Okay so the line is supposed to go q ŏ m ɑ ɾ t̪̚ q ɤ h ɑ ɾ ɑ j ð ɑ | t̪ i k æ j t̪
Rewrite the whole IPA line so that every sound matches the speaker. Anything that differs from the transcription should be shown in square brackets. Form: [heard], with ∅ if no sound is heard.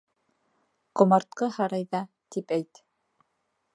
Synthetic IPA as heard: q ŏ m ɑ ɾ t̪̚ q ɤ h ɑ ɾ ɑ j ð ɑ | t̪ i [p] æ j t̪